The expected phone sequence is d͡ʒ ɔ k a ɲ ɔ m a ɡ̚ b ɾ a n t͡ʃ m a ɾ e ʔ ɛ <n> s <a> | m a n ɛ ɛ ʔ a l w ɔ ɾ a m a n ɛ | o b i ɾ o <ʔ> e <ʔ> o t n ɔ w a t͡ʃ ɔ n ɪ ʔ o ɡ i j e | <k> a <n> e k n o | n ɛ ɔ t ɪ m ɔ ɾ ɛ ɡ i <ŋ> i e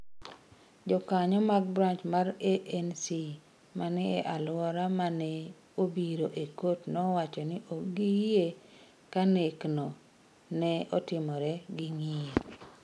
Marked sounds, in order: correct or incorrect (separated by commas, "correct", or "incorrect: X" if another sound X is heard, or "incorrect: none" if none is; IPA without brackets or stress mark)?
correct, incorrect: i, correct, incorrect: k, correct, correct, correct